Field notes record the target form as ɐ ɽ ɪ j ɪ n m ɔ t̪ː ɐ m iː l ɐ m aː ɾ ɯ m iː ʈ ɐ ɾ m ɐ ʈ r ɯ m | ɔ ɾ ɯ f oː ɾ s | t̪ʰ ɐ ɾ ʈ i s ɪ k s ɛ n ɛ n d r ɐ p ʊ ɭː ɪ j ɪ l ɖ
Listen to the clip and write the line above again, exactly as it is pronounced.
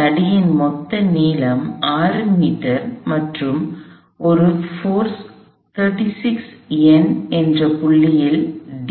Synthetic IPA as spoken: ɐ ɽ ɪ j ɪ n m ɔ t̪ː ɐ n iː l ɐ m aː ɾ ɯ m iː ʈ ɐ ɾ m ɐ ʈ r ɯ m | ɔ ɾ ɯ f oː ɾ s | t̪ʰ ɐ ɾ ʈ i s ɪ k s ɛ n ɛ n d r ɐ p ʊ ɭː ɪ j ɪ l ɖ